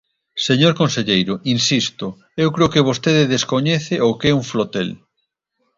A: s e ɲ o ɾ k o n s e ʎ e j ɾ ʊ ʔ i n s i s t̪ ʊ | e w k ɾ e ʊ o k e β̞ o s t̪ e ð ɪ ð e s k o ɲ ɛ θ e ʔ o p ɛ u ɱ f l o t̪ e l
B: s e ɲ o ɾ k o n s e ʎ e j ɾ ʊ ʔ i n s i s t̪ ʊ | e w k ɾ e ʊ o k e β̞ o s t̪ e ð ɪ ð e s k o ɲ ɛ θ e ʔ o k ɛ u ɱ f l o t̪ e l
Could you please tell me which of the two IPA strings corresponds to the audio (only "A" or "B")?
B